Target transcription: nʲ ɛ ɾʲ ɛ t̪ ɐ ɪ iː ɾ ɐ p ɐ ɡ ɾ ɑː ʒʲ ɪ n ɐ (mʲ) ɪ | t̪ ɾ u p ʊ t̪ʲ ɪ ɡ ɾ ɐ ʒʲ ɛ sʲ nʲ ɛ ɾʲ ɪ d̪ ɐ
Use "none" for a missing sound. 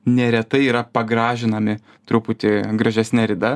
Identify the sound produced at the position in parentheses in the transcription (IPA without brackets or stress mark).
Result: mʲ